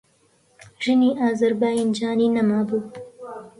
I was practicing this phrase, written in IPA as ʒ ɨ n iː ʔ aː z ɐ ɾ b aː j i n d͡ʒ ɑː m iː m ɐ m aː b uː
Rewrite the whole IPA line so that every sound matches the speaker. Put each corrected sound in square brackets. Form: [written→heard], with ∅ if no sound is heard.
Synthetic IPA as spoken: ʒ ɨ n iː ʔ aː z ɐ ɾ b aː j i n d͡ʒ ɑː [m→n] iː [m→n] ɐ m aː b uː